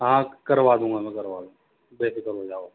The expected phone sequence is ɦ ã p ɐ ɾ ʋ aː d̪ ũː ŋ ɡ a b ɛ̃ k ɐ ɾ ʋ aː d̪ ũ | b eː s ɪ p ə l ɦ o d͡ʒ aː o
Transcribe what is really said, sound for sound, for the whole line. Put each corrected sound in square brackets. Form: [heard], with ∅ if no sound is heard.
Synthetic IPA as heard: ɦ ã [k] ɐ ɾ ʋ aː d̪ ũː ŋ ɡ a [m] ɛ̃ k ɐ ɾ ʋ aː d̪ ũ | b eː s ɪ [k] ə l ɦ o d͡ʒ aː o